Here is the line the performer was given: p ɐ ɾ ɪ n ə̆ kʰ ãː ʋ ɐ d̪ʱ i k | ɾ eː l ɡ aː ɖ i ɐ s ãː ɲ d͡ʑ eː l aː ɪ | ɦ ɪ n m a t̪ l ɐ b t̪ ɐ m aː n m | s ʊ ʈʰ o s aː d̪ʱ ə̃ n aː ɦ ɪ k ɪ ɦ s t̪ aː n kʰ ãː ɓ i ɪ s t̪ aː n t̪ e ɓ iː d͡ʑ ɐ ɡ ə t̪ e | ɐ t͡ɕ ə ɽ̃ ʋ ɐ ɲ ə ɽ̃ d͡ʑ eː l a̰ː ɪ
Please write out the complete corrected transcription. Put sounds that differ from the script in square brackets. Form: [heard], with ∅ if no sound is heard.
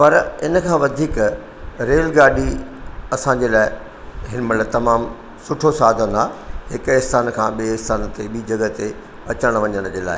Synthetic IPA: p ɐ ɾ ɪ n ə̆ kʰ ãː ʋ ɐ d̪ʱ [iː] k | ɾ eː l ɡ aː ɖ i ɐ s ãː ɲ d͡ʑ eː l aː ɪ | ɦ ɪ n m [ɐ] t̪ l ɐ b t̪ ɐ m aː [∅] m | s ʊ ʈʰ o s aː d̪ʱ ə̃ n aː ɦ ɪ k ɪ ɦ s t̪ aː n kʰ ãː ɓ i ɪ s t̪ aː n t̪ e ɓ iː d͡ʑ ɐ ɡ ə t̪ e | ɐ t͡ɕ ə ɽ̃ ʋ ɐ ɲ ə ɽ̃ d͡ʑ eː l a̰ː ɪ